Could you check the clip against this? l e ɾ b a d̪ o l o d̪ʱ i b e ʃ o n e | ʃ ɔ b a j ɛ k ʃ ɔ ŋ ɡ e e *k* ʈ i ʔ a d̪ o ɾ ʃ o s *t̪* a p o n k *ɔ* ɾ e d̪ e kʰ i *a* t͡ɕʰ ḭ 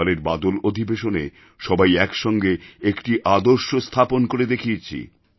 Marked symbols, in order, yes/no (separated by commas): yes, no, no, no